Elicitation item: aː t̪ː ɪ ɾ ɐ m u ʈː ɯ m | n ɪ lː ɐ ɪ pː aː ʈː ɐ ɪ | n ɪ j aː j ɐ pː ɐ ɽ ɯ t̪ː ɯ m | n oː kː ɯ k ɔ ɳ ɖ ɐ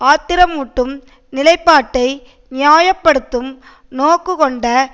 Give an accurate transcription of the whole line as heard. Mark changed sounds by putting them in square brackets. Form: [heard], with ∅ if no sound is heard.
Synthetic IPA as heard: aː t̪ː ɪ ɾ ɐ m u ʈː ɯ m | n ɪ [l] ɐ ɪ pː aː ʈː ɐ ɪ | n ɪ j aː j ɐ pː ɐ ɽ ɯ t̪ː ɯ m | n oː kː ɯ k ɔ ɳ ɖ ɐ